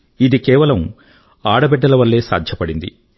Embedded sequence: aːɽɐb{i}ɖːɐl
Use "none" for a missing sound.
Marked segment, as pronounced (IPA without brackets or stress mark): ɛ